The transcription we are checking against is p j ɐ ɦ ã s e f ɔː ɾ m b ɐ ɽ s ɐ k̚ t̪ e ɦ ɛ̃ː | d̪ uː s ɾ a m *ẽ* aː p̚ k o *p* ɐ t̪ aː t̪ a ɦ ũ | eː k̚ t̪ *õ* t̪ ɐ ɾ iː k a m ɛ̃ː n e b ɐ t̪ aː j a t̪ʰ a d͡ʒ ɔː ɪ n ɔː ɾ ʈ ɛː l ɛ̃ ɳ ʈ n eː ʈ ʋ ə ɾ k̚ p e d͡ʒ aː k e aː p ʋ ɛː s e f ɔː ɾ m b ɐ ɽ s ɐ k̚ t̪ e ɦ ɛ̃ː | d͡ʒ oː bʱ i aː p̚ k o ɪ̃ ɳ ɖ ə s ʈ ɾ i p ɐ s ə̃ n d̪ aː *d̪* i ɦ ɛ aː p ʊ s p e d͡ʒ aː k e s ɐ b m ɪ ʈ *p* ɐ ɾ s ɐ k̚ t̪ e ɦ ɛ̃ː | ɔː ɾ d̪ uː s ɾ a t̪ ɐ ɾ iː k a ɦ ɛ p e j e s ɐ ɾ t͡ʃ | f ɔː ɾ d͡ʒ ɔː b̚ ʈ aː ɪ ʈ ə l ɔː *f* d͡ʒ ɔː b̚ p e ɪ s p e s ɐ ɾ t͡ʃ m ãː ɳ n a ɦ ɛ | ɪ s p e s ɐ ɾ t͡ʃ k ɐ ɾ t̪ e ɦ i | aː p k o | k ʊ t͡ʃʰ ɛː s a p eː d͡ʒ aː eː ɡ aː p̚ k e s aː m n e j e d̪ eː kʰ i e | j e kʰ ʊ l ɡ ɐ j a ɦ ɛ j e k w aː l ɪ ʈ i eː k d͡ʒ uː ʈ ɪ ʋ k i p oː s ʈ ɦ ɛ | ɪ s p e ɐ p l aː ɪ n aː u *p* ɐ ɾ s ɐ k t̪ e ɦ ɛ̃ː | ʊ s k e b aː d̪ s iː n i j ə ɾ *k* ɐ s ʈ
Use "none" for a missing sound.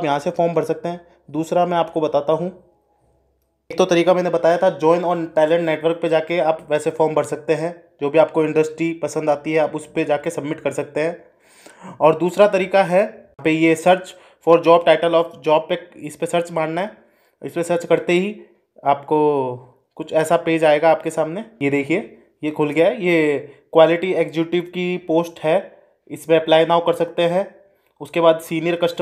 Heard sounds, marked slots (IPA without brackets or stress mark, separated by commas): ɛ̃, b, o, t̪, k, f, k, k